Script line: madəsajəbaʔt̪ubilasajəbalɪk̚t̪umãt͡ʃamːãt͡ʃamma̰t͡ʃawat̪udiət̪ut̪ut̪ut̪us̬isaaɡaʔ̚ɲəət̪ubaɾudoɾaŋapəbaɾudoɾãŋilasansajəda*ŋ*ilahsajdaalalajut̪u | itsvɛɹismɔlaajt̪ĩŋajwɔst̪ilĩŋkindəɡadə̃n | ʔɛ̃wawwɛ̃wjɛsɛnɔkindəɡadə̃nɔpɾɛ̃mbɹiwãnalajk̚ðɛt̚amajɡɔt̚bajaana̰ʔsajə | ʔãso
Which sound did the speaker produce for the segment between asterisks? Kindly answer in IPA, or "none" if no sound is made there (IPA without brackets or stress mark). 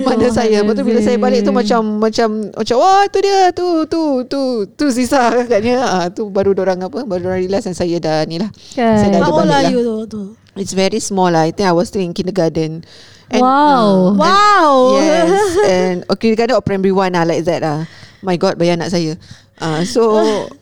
n